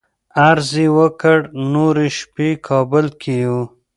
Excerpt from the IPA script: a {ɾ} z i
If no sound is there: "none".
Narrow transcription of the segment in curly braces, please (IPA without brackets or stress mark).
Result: ɾ